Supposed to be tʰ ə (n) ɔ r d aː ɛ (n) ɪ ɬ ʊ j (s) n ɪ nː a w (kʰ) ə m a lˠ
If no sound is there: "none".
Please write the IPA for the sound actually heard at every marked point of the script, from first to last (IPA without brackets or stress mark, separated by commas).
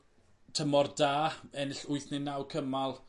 m, n, θ, kʰ